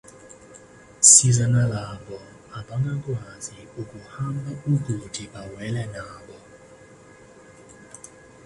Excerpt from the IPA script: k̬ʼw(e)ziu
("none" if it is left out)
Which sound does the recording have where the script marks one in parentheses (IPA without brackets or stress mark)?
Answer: a